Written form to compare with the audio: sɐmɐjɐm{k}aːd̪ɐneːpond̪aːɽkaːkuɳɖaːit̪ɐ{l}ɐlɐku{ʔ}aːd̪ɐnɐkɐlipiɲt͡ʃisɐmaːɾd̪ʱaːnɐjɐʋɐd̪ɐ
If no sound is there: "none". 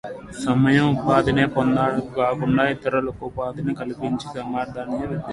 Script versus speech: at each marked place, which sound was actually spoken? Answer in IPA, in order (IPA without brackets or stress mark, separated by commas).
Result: p, ɾ, p